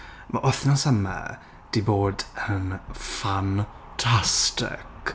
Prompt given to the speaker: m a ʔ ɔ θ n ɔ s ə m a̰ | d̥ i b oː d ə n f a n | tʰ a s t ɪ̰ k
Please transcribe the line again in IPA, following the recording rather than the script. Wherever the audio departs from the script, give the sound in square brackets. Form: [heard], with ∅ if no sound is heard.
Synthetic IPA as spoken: m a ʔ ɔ θ n ɔ s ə m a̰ | d̥ i b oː d ə n f a n | tʰ a s t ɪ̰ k